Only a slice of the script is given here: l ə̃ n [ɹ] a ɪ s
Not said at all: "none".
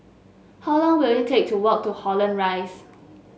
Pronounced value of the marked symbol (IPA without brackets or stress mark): ɹ